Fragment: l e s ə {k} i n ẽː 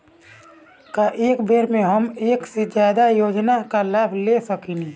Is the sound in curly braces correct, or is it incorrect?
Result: correct